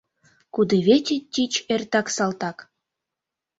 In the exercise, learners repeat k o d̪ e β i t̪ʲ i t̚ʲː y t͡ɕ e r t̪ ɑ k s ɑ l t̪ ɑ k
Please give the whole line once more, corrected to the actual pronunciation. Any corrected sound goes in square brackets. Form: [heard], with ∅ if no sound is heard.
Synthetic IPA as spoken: k [u] d̪ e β [e] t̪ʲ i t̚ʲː [i] t͡ɕ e r t̪ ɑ k s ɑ l t̪ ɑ k